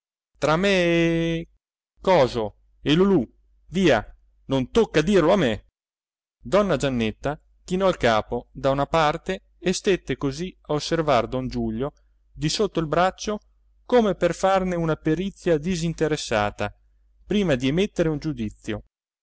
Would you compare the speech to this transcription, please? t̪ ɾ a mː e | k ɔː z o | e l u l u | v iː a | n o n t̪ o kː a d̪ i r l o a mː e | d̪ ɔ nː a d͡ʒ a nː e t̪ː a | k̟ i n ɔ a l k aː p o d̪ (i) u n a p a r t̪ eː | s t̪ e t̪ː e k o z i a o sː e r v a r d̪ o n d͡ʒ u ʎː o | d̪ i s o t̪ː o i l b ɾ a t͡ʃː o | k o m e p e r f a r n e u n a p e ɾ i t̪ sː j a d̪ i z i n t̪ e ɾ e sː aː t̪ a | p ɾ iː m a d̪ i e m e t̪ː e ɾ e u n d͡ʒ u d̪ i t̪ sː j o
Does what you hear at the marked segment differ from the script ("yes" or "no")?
yes